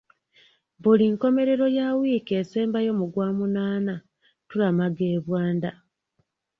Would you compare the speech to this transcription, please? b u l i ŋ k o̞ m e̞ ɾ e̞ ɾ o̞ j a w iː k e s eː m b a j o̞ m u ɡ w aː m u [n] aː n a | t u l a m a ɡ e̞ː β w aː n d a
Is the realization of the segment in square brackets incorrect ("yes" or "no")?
no